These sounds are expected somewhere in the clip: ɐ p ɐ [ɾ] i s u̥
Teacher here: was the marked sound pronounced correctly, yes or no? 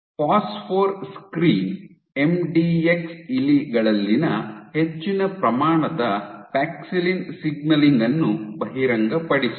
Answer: no